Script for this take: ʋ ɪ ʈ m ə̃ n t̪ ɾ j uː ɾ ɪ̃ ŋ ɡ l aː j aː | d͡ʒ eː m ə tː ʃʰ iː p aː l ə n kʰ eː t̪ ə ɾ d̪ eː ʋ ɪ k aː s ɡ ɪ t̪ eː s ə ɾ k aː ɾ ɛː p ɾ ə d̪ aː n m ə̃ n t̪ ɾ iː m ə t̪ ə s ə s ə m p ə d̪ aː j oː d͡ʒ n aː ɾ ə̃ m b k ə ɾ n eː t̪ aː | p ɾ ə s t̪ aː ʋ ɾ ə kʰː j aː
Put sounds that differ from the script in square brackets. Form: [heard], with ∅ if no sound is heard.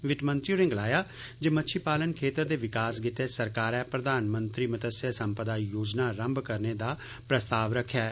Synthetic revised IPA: ʋ ɪ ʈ m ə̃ n t̪ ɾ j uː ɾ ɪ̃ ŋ ɡ l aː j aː | d͡ʒ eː m ə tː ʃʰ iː p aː l ə n kʰ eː t̪ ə ɾ d̪ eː ʋ ɪ k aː s ɡ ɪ t̪ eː s ə ɾ k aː ɾ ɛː p ɾ ə d̪ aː n m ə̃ n t̪ ɾ iː m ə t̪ ə s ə s ə m p ə d̪ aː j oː d͡ʒ n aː ɾ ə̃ m b k ə ɾ n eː [d̪] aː | p ɾ ə s t̪ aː ʋ ɾ ə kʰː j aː